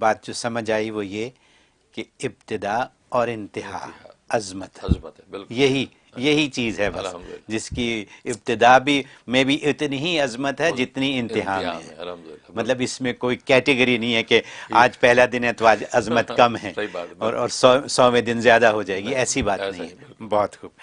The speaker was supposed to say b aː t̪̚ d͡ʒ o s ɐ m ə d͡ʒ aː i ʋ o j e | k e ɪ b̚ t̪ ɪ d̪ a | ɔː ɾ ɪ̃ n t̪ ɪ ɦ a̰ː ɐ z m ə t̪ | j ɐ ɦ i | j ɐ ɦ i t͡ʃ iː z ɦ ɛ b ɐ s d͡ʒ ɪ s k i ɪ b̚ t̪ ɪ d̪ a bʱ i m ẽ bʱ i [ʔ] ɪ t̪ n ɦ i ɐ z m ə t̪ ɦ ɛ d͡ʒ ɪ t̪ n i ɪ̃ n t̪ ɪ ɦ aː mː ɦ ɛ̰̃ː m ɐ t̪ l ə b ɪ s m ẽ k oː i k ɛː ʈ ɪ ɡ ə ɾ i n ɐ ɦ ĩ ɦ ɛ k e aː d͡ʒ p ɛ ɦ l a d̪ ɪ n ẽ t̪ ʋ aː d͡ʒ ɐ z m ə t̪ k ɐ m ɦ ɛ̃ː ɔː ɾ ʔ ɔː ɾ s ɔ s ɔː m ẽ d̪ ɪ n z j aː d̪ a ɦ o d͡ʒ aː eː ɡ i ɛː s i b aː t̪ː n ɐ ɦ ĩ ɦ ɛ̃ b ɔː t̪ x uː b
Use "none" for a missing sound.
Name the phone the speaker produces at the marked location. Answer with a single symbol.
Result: ʔ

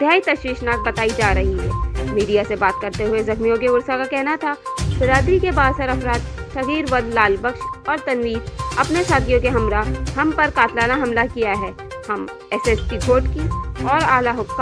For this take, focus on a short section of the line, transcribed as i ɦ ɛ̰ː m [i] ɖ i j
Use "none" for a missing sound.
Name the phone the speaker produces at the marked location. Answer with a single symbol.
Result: iː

